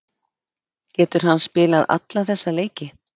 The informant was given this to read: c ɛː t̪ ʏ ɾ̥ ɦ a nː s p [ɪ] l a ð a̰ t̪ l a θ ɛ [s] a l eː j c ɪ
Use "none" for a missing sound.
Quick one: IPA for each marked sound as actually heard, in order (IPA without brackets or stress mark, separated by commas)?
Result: ɪː, sː